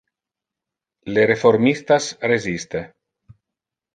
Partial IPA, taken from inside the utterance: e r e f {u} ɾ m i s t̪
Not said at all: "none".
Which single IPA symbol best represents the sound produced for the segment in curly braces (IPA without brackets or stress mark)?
o